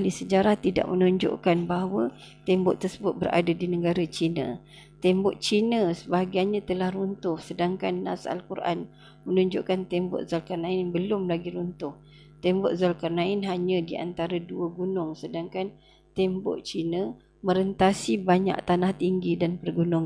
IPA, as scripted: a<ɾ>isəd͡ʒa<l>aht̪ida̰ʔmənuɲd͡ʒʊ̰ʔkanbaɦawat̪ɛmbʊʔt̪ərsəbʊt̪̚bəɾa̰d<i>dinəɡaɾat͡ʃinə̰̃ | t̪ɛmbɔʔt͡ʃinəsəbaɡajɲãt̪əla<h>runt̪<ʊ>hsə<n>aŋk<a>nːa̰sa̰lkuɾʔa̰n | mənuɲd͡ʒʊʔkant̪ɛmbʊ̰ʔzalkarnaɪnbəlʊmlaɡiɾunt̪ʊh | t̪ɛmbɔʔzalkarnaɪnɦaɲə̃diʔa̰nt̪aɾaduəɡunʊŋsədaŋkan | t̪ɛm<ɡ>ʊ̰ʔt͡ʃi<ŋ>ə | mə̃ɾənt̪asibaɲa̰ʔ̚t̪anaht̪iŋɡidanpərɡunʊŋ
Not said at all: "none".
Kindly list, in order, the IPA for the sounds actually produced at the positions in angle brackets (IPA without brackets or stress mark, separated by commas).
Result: l, ɾ, a, h, ʊ, d, a, b, n